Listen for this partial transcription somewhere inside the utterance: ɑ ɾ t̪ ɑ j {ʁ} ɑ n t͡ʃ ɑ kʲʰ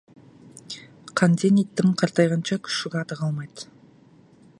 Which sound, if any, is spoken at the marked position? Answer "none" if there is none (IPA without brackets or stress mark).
ʁ